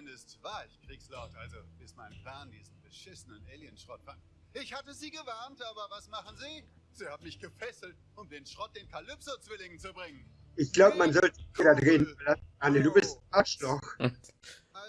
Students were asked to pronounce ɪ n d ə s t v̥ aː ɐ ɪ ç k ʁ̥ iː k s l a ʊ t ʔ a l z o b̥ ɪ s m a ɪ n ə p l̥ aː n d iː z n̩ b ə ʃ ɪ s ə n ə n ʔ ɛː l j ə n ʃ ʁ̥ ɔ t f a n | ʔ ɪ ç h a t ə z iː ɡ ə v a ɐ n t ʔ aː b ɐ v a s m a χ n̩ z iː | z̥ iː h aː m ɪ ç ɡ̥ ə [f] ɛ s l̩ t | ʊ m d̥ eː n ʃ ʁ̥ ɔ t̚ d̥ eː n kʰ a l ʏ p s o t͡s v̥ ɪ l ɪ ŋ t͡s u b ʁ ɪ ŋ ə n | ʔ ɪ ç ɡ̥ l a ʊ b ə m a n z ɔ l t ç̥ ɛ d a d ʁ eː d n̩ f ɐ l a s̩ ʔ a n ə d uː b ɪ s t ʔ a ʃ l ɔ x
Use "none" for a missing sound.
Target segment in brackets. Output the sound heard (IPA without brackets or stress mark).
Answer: f